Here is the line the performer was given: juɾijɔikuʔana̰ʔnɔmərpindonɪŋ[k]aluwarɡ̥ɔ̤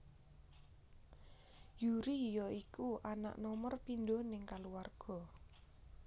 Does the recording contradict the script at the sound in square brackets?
no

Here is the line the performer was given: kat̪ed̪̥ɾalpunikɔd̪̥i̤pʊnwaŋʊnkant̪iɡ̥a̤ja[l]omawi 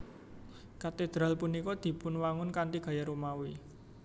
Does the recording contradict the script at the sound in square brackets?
yes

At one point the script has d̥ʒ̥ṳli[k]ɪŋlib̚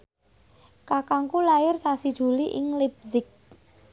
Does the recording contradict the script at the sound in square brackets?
yes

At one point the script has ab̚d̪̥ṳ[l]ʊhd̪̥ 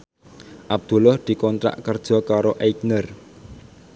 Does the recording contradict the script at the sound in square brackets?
no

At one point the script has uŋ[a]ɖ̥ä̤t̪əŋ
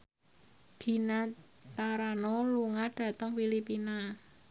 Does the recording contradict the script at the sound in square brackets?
no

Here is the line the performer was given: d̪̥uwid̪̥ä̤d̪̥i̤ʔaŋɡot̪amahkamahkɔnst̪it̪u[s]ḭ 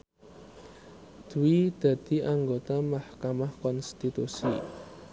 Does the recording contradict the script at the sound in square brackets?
no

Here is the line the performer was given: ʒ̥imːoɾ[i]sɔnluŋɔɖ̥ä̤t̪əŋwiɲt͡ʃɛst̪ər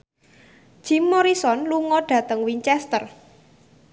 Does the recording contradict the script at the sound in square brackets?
no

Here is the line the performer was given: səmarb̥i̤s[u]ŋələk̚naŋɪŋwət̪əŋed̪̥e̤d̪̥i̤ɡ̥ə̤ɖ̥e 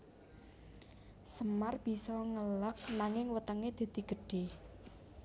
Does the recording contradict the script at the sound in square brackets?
yes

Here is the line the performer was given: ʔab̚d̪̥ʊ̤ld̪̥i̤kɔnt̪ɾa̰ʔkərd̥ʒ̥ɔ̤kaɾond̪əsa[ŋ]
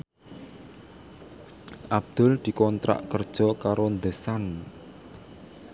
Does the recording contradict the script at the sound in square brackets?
yes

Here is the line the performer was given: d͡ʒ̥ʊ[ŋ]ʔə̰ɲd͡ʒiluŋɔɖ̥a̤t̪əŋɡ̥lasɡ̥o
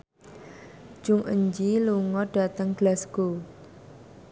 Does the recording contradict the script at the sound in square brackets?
no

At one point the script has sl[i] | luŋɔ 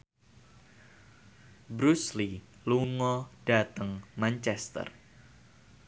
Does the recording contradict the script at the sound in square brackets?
no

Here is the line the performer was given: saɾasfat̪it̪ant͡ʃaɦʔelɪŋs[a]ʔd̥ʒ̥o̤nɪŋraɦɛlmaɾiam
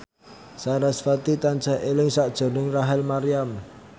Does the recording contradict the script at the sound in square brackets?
no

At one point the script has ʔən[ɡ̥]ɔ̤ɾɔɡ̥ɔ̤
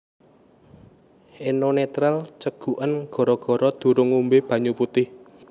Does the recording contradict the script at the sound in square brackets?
no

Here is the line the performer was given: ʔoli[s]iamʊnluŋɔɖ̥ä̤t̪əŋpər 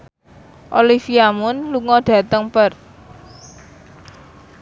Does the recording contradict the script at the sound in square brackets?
yes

